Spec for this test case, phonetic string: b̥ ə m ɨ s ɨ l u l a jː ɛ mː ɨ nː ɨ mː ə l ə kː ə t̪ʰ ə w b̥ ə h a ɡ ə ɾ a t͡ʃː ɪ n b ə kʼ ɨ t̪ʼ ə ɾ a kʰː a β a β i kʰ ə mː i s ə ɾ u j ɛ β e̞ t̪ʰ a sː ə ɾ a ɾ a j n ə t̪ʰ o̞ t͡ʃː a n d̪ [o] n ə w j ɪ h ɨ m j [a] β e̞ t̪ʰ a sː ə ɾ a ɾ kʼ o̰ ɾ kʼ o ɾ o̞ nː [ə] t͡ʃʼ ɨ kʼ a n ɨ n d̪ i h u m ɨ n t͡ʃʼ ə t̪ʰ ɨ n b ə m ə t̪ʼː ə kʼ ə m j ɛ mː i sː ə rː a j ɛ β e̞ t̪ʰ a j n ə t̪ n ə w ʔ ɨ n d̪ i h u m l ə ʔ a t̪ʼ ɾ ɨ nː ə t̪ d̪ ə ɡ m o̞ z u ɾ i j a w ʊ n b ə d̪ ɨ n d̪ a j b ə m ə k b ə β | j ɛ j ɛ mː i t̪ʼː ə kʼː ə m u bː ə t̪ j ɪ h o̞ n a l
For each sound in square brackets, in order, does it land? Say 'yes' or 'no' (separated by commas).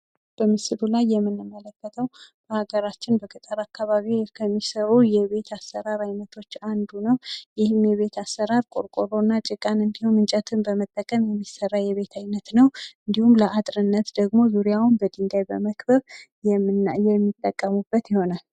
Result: no, no, no